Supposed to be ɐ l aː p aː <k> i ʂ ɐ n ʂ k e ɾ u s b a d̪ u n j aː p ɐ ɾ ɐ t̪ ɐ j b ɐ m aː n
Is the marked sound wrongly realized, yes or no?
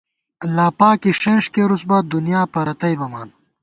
no